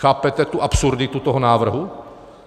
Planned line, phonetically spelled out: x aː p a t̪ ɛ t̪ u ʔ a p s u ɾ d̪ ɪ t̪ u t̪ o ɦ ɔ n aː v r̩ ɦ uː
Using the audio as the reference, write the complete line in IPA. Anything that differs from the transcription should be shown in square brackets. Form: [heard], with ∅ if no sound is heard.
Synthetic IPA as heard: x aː p [ɛ] t̪ ɛ t̪ u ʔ a p s u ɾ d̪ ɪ t̪ u t̪ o ɦ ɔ n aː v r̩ ɦ [u]